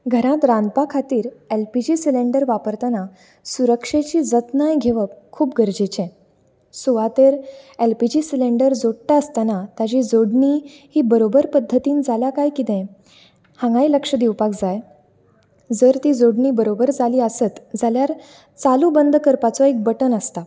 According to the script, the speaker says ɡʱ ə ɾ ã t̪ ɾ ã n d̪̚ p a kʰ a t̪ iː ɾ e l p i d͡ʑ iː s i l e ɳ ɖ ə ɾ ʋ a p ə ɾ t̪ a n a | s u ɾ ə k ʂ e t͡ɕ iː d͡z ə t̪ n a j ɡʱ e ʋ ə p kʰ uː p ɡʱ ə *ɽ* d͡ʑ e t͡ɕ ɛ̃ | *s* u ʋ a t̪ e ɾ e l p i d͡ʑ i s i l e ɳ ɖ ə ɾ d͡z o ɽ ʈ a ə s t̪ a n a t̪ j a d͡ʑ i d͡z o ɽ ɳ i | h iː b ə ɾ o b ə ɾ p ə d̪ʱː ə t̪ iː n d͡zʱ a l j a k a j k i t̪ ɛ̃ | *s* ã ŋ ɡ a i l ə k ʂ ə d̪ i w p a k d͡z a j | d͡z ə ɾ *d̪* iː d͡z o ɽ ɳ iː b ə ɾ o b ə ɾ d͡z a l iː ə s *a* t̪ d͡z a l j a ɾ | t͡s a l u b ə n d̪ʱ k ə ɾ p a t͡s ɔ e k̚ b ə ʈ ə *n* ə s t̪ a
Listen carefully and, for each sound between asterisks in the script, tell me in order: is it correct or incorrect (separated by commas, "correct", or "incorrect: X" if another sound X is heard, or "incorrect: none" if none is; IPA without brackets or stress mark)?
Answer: incorrect: ɾ, correct, incorrect: h, incorrect: t̪, incorrect: ə, correct